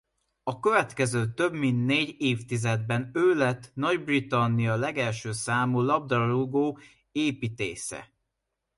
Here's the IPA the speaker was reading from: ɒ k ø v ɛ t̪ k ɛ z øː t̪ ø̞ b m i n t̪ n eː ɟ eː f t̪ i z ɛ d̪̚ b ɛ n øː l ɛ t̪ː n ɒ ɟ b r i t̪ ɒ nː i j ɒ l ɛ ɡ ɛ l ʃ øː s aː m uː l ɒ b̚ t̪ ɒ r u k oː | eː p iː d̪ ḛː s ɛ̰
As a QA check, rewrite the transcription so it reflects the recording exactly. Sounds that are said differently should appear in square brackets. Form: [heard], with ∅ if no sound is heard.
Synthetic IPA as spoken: ɒ k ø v ɛ t̪ k ɛ z øː t̪ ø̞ b m i n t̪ n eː ɟ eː f t̪ i z ɛ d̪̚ b ɛ n øː l ɛ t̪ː n ɒ ɟ b r i t̪ ɒ nː i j ɒ l ɛ ɡ ɛ l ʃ øː s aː m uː l ɒ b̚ [d̪] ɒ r u [ɡ] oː | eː p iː [t̪] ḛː s ɛ̰